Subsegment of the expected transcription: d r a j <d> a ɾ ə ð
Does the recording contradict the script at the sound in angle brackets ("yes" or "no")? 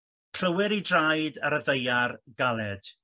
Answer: no